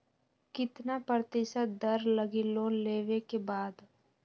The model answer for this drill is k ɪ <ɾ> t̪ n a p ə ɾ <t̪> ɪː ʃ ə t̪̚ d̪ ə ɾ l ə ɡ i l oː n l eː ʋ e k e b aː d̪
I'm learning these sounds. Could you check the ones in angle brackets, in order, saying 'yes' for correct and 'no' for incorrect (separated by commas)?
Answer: no, yes